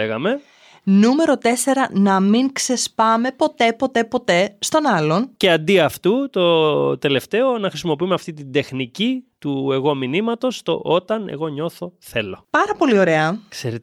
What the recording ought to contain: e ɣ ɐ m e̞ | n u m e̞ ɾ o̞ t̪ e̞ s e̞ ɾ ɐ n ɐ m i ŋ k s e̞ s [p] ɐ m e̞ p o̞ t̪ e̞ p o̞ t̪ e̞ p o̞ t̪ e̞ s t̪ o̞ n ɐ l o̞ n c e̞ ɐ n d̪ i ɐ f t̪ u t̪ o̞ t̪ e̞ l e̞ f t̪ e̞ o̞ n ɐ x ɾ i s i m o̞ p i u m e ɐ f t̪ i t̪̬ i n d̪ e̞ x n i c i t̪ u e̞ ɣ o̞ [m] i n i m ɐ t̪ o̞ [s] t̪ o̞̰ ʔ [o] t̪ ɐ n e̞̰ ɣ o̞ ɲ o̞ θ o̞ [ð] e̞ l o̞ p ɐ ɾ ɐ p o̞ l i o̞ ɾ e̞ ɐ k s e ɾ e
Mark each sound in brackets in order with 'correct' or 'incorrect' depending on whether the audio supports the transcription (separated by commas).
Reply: correct, correct, correct, correct, incorrect